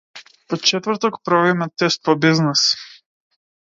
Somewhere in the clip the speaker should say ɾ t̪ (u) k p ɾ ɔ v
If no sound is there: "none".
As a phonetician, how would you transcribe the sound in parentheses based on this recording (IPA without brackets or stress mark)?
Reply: ɔ